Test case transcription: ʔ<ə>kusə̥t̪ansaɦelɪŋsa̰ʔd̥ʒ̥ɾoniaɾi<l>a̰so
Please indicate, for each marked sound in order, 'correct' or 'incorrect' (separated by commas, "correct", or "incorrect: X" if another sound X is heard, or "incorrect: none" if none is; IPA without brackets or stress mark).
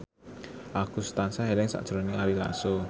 incorrect: a, correct